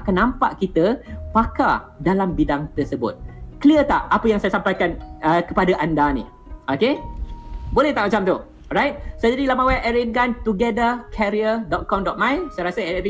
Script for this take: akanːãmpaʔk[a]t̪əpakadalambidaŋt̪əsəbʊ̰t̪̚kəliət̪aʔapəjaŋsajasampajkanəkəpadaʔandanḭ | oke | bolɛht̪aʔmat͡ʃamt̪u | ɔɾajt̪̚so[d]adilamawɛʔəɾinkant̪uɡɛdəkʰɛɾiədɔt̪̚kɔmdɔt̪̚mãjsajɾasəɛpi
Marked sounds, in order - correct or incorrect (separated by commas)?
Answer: incorrect, incorrect